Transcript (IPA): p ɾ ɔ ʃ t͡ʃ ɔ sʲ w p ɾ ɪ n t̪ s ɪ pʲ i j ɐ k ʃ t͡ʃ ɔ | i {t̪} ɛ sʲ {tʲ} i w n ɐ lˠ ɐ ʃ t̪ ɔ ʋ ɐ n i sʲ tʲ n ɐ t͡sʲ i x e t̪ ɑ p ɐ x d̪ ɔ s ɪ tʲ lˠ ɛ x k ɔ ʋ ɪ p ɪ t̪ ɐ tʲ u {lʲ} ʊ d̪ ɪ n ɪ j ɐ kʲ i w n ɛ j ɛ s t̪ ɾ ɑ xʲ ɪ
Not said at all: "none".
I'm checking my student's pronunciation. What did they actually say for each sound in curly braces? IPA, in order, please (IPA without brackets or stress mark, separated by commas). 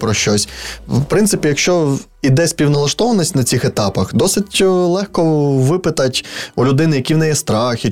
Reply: d̪, pʲ, lʲ